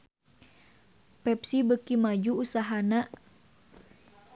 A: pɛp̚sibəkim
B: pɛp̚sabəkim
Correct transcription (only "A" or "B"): A